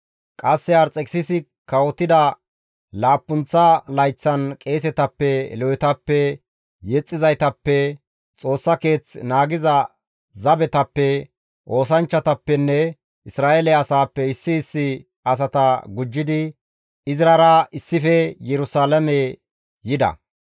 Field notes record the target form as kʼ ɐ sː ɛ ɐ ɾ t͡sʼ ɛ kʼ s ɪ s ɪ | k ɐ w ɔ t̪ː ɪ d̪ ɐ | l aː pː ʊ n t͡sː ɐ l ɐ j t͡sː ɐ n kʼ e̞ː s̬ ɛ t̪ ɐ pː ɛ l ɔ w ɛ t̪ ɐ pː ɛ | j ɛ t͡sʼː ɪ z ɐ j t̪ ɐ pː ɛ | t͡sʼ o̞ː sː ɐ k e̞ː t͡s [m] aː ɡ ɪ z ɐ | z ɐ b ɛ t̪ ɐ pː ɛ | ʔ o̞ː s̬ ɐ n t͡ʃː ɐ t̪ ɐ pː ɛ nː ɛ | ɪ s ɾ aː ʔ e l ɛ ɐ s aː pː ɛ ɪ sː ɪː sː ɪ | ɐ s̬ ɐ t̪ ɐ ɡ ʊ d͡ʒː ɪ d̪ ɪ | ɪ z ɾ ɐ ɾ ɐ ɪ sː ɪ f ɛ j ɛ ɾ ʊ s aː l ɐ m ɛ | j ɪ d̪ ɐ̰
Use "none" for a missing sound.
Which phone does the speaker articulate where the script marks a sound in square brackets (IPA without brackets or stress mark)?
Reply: n